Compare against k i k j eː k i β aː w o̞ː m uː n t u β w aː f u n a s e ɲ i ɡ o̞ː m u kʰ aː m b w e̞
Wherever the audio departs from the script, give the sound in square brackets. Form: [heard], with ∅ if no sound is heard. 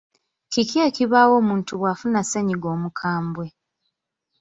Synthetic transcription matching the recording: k i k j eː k i β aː w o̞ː m uː n t u β w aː f u n a s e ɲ i ɡ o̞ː m u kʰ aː m b w e̞